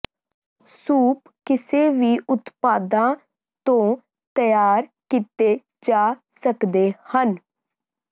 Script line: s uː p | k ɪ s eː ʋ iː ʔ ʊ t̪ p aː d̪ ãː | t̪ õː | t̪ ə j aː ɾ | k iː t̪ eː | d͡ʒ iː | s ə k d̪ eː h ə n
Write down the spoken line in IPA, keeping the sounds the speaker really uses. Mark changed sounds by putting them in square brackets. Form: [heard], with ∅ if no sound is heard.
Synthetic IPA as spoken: s uː p | k ɪ s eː ʋ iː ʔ ʊ t̪ p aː d̪ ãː | t̪ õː | t̪ ə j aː ɾ | k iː t̪ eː | d͡ʒ [aː] | s ə k d̪ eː h ə n